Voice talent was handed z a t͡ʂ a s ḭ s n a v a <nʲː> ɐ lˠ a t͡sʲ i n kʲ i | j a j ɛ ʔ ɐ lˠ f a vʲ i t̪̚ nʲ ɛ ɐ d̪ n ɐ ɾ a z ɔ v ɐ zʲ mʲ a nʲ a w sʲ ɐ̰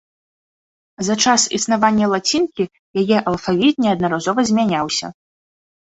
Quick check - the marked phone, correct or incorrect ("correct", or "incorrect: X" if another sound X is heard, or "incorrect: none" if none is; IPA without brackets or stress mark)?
correct